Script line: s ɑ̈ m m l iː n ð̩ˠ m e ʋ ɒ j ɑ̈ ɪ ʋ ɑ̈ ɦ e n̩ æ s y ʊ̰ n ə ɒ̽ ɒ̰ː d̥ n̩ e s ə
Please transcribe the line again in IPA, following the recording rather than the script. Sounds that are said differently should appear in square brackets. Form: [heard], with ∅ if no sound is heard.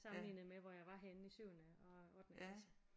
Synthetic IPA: s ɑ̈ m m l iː n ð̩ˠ m e ʋ ɒ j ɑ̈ ɪ ʋ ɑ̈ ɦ e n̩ [i] s y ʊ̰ n ə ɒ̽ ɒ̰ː d̥ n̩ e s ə